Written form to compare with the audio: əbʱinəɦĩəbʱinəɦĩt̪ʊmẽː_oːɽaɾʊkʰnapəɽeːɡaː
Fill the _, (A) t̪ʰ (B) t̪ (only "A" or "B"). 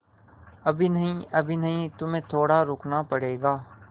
A